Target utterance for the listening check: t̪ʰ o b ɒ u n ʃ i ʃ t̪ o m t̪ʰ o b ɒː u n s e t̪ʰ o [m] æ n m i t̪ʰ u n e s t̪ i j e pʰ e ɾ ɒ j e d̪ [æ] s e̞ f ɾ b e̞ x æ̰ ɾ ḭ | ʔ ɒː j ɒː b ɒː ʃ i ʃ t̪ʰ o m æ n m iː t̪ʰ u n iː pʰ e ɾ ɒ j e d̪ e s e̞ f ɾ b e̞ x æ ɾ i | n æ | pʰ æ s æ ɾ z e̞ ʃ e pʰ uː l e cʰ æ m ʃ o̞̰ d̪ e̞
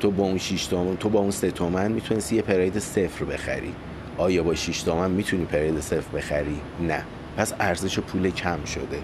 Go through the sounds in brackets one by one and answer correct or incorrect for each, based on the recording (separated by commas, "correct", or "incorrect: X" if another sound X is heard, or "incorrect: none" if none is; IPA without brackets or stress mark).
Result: correct, incorrect: e